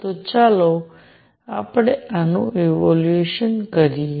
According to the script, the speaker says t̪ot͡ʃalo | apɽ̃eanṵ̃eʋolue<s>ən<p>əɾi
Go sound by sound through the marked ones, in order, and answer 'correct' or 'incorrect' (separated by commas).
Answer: incorrect, incorrect